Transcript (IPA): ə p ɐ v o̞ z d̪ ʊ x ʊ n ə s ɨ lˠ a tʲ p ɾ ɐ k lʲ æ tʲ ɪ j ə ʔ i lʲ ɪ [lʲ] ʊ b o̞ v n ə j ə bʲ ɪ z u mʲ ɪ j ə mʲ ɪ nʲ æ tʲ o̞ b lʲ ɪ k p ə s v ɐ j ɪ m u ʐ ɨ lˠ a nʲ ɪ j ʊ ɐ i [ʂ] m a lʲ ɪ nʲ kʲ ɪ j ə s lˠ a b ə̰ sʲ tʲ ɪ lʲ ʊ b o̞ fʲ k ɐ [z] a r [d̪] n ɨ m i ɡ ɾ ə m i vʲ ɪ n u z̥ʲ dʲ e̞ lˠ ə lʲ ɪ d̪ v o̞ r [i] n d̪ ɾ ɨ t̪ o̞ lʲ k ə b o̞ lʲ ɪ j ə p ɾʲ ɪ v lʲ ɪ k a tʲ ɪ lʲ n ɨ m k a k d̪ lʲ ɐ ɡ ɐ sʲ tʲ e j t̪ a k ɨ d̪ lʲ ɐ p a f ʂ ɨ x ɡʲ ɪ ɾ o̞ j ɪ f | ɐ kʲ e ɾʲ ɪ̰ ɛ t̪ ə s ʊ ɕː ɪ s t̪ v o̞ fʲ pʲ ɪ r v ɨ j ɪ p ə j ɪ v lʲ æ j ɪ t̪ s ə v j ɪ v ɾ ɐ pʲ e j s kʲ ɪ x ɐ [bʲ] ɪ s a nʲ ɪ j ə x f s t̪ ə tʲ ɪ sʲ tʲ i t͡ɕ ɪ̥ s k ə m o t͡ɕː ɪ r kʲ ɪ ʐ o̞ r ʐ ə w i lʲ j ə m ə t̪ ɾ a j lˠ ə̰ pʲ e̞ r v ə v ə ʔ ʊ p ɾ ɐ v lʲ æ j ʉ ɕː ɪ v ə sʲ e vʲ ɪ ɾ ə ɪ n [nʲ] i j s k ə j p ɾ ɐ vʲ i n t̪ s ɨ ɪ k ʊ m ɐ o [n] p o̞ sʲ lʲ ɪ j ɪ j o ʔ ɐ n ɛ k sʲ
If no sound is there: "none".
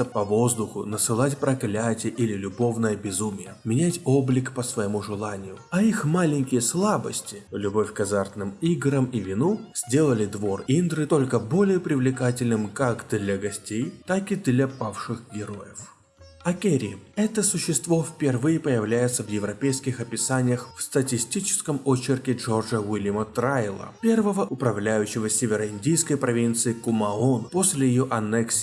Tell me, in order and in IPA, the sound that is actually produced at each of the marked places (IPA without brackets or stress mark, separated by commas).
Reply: lʲ, x, z, t̪, i, pʲ, dʲ, n